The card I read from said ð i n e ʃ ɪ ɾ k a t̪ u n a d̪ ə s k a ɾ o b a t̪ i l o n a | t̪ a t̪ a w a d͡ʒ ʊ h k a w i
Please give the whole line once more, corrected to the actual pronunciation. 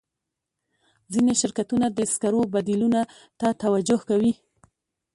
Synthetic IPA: z i n e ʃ ɪ ɾ k a t̪ u n a d̪ ə s k a ɾ o b a d̪ i l u n a | t̪ a t̪ a w a d͡ʒ ʊ h k a w i